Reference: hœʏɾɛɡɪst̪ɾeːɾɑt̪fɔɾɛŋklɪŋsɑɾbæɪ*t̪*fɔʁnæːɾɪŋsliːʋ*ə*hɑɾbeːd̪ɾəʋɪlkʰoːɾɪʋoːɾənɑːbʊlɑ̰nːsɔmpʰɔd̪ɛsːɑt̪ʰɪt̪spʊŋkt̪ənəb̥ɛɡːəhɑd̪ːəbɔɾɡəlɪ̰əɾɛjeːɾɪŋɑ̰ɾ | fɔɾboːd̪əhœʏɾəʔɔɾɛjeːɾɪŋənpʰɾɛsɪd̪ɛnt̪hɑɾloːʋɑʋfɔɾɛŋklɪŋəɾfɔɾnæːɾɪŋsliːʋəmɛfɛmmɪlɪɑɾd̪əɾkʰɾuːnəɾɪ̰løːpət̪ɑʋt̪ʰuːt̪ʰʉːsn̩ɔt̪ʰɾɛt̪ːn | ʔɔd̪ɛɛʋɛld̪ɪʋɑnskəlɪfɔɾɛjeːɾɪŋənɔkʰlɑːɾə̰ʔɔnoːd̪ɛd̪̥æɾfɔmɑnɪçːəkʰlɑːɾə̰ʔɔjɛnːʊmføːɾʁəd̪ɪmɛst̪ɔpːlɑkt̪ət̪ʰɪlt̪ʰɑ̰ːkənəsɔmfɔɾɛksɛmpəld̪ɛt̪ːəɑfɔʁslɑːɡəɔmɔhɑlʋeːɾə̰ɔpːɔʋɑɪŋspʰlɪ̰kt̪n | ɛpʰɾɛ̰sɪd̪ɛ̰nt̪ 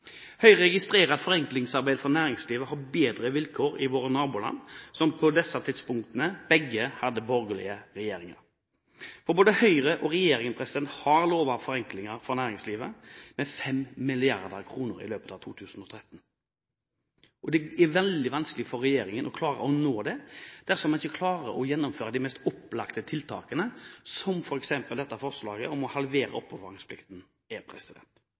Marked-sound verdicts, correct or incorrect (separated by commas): incorrect, correct